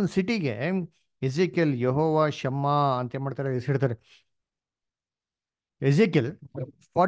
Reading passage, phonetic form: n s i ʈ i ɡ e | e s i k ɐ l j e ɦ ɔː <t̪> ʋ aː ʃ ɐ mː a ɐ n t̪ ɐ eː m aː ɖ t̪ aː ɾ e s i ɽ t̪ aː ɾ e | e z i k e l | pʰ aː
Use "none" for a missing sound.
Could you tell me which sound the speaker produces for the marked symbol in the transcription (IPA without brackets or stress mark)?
none